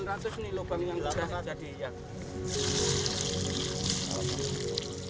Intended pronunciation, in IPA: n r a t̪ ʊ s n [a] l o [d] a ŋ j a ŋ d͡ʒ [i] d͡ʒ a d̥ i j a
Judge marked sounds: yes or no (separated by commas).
no, no, no